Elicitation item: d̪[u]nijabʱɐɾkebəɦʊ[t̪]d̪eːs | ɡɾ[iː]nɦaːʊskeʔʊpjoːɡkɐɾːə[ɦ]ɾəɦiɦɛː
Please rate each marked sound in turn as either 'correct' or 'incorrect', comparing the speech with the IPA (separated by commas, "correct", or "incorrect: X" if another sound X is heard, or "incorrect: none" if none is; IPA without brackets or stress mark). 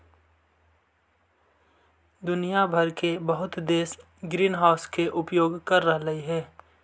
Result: incorrect: ʊ, correct, correct, correct